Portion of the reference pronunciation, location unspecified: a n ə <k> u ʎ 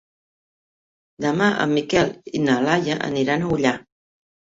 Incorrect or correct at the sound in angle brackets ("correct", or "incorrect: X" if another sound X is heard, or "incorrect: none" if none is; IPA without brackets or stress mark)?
incorrect: none